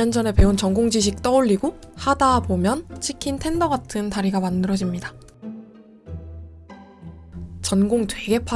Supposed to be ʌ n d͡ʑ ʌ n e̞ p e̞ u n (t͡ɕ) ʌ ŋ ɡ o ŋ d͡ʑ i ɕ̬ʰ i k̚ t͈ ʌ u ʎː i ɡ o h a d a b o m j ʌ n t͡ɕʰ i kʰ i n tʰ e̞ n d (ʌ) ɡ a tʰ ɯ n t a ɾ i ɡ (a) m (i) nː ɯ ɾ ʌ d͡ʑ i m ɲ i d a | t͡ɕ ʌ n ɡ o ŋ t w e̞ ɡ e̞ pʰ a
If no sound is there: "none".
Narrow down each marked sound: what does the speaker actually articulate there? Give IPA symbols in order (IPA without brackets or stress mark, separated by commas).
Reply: t͡ɕ, ʌ, a, a